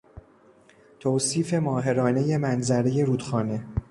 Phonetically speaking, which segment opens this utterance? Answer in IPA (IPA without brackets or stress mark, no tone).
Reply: t̪ʰ